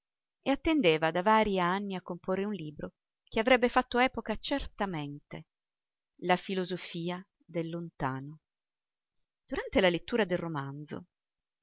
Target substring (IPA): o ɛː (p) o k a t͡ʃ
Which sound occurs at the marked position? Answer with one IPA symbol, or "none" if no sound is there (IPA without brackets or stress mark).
p